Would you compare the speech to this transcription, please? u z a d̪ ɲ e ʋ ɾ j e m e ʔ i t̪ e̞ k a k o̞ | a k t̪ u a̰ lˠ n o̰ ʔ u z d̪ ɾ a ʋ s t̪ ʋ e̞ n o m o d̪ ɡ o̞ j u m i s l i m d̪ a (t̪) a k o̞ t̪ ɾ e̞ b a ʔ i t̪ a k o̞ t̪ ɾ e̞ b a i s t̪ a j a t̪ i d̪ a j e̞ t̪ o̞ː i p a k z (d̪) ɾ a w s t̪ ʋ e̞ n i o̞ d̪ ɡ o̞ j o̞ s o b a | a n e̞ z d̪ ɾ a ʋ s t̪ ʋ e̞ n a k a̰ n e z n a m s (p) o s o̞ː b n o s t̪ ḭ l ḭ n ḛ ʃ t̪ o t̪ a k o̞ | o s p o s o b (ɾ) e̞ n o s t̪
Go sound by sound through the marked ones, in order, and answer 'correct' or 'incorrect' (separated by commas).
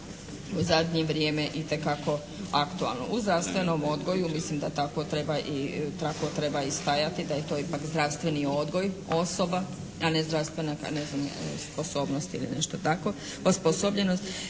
correct, correct, correct, incorrect